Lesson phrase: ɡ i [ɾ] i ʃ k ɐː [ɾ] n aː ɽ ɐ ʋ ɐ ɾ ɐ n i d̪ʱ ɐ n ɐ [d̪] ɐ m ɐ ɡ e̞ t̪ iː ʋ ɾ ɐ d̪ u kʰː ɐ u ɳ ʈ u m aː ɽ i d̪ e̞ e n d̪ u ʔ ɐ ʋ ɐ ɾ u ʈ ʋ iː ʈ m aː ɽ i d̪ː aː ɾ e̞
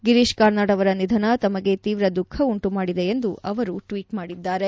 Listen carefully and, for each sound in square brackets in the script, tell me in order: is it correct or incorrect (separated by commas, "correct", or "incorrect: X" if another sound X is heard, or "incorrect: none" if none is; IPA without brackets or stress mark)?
correct, correct, incorrect: t̪